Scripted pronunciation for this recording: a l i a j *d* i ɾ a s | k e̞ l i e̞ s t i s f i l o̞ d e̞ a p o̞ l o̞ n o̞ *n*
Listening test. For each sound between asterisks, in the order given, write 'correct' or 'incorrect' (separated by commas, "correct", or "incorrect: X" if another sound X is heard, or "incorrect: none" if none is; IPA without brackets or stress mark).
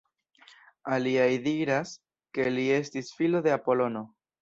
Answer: correct, incorrect: none